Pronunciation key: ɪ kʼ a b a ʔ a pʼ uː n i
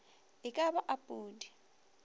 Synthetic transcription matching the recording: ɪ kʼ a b a ʔ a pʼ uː d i